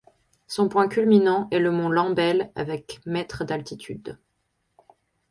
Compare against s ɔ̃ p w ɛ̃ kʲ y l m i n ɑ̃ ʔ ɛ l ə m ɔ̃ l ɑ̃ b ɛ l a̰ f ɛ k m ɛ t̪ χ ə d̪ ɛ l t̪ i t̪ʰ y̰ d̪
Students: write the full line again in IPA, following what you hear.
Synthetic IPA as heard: s ɔ̃ p w ɛ̃ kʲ y l m i n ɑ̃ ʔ ɛ l ə m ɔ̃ l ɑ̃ b ɛ l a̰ v ɛ k m ɛ t̪ χ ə d̪ a l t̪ i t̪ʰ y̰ d̪